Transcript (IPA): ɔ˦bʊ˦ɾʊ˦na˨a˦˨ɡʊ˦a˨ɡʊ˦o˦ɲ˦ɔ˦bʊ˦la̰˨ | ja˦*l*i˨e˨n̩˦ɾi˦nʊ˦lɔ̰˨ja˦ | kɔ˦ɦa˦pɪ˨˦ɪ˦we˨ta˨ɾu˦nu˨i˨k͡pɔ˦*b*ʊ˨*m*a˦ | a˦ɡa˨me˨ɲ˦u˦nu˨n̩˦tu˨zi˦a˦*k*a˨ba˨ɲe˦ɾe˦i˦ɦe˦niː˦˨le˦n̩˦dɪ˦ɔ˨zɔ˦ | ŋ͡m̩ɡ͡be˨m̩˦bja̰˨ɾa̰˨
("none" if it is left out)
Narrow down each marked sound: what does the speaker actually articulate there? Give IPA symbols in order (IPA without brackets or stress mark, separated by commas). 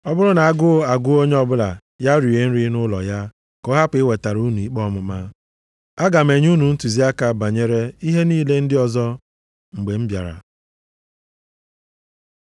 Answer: ɾ, m, m, k